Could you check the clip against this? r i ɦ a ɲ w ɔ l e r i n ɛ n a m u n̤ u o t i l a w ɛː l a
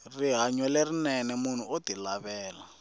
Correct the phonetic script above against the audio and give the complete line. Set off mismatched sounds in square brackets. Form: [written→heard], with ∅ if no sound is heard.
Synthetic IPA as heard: r i ɦ a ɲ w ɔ l e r i n ɛ n [a→ɛ] m u n̤ u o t i l a [w→β] ɛː l a